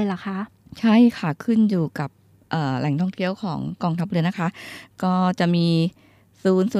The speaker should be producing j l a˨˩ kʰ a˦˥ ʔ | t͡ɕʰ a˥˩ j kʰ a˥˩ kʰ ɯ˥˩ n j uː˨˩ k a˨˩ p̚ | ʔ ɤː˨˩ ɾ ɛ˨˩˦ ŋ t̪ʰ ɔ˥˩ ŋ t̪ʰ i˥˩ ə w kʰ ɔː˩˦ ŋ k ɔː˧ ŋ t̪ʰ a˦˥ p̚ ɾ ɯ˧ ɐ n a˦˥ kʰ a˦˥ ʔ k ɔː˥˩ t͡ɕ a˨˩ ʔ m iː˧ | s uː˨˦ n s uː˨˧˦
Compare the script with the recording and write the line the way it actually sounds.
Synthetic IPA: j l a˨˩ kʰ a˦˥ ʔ | t͡ɕʰ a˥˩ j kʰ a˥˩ kʰ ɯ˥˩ n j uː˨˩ k a˨˩ p̚ | ʔ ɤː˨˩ l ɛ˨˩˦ ŋ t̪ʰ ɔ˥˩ ŋ t̪ʰ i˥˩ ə w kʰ ɔː˩˦ ŋ k ɔː˧ ŋ t̪ʰ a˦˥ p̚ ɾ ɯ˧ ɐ n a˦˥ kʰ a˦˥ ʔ k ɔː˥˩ t͡ɕ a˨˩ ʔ m iː˧ | s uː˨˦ n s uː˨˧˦